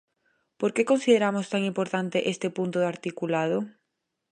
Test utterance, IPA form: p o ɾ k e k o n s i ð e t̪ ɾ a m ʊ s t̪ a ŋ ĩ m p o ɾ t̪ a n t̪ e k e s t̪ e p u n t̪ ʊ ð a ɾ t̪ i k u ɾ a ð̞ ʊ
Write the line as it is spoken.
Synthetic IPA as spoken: p o ɾ k e k o n s i ð e ɾ a m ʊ s t̪ a ŋ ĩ m p o ɾ t̪ a n t̪ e ʔ e s t̪ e p u n t̪ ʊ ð a ɾ t̪ i k u l a ð̞ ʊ